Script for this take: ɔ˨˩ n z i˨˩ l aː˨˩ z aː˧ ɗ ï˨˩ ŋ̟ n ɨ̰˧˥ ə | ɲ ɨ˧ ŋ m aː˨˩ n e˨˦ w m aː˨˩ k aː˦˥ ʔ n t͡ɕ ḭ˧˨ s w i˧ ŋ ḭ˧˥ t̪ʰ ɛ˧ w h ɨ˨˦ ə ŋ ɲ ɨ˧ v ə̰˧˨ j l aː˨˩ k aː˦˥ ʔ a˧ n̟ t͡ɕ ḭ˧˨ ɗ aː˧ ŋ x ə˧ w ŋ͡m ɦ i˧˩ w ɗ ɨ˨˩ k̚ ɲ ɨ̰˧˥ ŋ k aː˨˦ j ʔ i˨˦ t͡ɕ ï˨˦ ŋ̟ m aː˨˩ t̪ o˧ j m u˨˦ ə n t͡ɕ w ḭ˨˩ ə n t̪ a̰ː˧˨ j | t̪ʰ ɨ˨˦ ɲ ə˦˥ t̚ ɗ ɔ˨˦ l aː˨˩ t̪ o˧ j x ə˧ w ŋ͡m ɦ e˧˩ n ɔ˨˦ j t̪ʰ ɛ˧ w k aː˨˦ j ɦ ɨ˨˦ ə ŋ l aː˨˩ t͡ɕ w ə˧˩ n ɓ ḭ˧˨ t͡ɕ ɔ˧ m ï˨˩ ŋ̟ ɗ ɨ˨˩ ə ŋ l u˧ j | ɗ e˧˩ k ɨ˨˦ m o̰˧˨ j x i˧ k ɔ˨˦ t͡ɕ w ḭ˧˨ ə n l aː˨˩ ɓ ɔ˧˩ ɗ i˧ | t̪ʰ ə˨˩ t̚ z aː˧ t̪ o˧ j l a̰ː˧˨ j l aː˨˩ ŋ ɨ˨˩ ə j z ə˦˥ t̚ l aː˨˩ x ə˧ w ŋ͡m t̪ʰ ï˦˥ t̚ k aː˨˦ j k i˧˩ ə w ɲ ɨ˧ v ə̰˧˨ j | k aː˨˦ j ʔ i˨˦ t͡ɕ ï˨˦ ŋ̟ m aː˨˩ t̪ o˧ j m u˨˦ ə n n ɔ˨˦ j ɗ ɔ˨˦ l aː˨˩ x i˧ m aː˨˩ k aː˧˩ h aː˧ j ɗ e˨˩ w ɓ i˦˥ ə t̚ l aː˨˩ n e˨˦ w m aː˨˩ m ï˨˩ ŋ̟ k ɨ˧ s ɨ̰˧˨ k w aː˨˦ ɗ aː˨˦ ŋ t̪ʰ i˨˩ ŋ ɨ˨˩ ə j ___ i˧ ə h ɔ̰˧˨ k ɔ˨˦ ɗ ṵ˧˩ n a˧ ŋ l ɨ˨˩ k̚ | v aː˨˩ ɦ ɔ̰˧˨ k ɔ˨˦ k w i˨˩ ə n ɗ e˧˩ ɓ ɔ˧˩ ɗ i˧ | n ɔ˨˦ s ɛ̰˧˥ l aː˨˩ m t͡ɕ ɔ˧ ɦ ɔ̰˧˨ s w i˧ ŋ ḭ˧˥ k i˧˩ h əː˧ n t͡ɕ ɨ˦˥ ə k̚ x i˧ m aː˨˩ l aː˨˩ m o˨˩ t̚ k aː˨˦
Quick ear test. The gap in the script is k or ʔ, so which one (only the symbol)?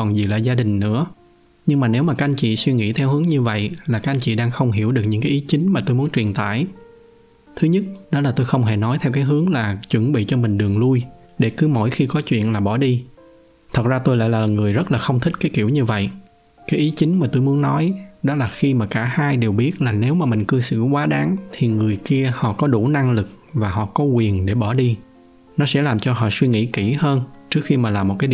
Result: k